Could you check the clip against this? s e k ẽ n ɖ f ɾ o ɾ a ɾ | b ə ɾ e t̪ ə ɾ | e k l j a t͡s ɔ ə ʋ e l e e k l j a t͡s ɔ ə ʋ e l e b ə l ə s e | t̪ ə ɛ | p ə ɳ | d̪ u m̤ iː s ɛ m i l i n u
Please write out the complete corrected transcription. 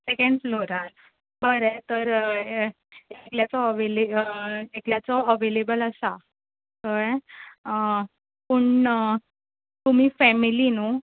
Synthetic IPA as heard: s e k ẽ ɳ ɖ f l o ɾ a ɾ | b ə ɾ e t̪ ə ɾ | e k l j a t͡s ɔ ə ʋ e l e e k l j a t͡s ɔ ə ʋ e l e b ə l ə s a | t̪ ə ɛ | p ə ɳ | t̪ u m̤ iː f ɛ m i l i n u